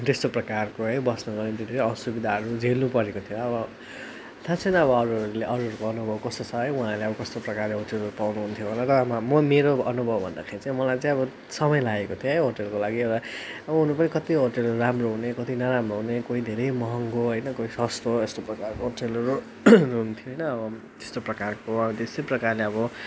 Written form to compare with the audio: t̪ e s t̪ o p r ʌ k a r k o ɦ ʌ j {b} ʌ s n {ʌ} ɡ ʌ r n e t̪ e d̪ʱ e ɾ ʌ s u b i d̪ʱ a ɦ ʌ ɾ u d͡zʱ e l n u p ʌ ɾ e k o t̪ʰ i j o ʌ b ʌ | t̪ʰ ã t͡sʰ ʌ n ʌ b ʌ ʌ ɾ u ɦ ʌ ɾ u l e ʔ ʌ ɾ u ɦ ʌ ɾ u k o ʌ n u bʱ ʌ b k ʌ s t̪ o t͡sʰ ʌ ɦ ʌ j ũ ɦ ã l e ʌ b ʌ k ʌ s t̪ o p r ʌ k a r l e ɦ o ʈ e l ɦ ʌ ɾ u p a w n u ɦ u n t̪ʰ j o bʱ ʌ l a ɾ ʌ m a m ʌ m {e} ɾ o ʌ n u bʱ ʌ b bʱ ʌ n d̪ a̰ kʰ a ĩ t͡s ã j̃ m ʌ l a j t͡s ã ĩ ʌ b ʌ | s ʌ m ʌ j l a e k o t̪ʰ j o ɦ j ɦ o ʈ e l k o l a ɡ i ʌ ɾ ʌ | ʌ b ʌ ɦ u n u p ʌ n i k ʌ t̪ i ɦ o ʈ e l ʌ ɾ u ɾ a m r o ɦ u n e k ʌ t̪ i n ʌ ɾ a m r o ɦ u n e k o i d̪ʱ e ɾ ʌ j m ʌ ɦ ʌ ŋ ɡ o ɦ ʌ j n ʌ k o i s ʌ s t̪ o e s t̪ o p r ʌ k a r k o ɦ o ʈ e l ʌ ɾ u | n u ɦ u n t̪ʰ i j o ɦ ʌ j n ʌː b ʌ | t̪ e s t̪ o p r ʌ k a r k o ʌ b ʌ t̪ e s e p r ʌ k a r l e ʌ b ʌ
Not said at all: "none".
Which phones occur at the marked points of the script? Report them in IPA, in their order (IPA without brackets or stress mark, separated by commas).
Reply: b, ʌ, e